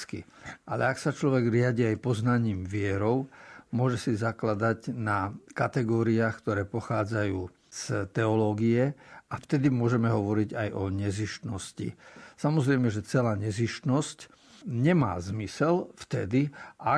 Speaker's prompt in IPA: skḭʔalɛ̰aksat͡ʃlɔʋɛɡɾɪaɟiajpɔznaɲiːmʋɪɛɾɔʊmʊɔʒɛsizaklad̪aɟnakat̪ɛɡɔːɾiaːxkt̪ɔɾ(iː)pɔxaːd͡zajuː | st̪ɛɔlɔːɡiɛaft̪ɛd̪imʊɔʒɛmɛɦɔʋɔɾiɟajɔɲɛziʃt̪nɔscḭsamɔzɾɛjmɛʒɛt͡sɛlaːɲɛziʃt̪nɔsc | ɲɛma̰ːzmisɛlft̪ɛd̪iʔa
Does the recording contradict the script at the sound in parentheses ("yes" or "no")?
yes